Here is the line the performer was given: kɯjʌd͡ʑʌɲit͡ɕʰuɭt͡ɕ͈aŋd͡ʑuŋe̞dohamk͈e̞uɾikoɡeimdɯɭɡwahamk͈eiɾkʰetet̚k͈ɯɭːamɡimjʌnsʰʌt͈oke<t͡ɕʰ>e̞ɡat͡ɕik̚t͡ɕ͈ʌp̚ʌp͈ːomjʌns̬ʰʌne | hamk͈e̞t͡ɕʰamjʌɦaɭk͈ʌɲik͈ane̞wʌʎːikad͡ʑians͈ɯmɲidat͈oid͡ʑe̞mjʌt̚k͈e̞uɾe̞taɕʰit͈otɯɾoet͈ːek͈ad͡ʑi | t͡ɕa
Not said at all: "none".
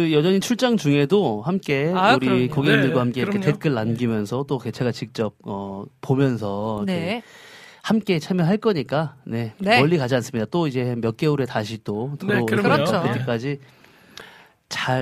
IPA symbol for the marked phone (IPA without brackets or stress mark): t͡ɕʰ